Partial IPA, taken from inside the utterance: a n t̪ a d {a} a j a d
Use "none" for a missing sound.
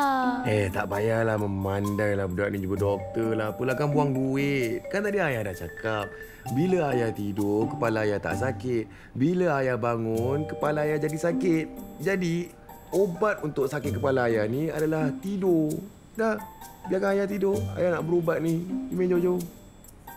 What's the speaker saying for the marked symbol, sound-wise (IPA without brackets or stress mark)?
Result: i